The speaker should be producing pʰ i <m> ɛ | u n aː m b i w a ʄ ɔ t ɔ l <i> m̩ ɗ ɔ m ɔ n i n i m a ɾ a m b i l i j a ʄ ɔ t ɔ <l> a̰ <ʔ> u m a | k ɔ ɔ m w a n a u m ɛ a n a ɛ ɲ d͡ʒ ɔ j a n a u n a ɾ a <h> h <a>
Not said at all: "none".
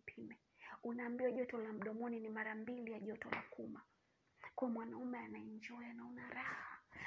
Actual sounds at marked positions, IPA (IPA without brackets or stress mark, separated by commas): m, a, l, k, h, a